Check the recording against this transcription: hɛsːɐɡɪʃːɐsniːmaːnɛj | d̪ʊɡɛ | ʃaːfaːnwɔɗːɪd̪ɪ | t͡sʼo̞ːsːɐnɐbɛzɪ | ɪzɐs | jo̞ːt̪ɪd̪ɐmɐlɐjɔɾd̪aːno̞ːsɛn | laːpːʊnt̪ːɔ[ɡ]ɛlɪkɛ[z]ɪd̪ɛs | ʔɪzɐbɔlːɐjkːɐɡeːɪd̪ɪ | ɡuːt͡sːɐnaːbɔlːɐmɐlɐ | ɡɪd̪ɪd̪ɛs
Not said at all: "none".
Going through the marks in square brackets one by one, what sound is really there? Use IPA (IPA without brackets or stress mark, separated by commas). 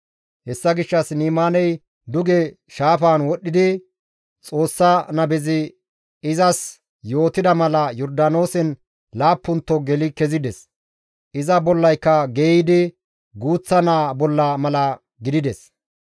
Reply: ɡ, z